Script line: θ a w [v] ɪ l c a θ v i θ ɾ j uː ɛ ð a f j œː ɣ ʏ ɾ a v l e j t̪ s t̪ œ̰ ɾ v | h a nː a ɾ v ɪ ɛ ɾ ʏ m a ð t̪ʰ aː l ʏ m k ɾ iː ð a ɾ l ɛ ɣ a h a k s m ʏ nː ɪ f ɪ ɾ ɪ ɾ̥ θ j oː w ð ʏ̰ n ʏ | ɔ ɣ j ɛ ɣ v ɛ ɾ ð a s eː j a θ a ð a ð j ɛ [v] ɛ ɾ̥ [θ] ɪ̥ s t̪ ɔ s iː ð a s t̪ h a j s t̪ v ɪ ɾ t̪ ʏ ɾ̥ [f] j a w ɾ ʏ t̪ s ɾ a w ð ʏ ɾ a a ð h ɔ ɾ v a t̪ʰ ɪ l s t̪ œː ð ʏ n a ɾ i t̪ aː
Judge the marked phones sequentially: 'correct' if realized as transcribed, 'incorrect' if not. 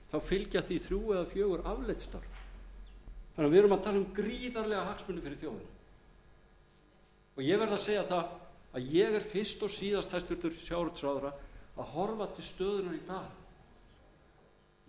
incorrect, incorrect, incorrect, incorrect

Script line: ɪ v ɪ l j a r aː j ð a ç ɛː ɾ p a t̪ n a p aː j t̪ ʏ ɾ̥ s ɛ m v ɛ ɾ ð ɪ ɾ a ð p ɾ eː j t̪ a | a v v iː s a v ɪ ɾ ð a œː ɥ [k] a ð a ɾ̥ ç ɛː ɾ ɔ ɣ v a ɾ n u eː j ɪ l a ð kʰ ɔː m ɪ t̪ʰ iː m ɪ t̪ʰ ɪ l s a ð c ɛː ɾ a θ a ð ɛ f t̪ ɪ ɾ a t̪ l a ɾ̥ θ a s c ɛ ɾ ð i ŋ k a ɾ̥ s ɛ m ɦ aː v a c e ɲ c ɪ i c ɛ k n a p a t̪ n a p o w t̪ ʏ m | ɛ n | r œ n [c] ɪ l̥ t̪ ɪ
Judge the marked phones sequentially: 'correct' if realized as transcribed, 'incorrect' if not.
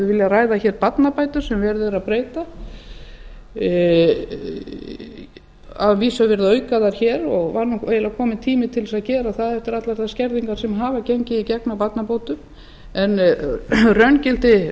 correct, correct

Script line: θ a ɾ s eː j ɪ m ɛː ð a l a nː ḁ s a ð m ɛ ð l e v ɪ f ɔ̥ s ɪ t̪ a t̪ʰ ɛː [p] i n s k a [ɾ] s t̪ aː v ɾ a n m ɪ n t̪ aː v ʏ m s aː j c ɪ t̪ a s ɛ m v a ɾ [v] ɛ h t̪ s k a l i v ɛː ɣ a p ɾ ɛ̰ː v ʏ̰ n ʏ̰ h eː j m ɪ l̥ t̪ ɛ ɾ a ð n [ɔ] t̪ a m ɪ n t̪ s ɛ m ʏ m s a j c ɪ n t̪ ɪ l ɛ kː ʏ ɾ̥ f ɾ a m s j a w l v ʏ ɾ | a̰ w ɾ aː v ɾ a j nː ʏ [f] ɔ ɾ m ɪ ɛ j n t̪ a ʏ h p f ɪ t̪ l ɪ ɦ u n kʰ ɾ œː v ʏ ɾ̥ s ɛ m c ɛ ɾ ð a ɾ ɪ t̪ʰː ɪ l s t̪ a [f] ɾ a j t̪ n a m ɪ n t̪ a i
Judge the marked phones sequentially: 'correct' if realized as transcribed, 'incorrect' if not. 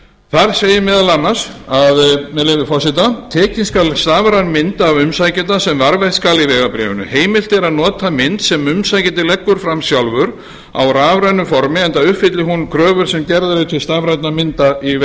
incorrect, incorrect, correct, incorrect, correct, incorrect

